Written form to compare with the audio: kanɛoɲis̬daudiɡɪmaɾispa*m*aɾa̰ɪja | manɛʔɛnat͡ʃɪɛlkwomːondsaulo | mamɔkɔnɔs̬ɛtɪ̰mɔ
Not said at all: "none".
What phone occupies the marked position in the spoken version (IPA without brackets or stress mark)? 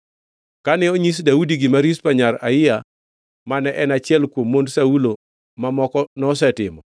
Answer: ɲ